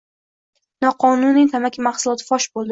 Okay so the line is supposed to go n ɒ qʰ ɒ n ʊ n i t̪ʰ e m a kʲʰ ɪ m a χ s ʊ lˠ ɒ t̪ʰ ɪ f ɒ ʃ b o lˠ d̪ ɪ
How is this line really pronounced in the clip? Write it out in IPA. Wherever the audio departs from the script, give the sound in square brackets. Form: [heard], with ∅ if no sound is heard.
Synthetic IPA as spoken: n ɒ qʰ ɒ n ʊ n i t̪ʰ [a] m a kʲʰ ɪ m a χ s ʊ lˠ ɒ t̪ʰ ɪ f ɒ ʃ b o lˠ d̪ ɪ